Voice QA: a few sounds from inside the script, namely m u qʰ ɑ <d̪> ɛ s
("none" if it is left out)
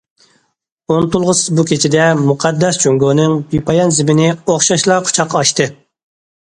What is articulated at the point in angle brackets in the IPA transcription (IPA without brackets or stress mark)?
d̪ː